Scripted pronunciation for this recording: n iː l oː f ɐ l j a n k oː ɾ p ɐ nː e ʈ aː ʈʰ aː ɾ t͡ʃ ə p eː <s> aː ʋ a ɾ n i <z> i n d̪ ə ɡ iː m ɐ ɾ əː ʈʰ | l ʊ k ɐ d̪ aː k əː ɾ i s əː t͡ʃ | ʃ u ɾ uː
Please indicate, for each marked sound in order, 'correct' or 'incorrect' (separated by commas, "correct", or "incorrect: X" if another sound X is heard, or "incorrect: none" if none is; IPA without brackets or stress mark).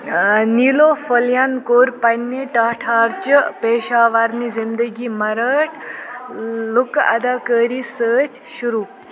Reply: incorrect: ʃ, correct